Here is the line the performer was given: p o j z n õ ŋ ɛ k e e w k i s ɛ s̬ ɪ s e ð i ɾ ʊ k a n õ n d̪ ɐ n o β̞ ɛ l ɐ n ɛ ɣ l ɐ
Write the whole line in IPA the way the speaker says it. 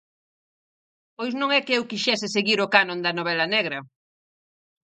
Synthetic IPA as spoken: p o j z n õ ŋ ɛ k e e w k i ʃ ɛ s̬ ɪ s e ɣ i ɾ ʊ k a n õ n d̪ ɐ n o β̞ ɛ l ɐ n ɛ ɣ ɾ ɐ